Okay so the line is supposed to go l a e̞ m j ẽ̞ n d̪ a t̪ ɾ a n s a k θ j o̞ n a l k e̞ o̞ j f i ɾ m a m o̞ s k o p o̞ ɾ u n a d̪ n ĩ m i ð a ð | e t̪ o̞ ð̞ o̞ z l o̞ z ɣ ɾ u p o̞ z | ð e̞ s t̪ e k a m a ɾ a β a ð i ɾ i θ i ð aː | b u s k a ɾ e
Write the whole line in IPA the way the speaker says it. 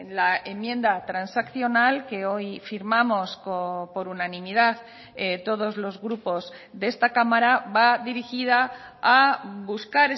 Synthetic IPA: l a e̞ m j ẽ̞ n d̪ a t̪ ɾ a n s a k θ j o̞ n a l k e̞ o̞ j f i ɾ m a m o̞ s k o p o̞ ɾ u n a n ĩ m i ð a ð | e t̪ o̞ ð̞ o̞ z l o̞ z ɣ ɾ u p o̞ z | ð e̞ s t̪ a k a m a ɾ a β a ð i ɾ i x i ð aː | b u s k a ɾ e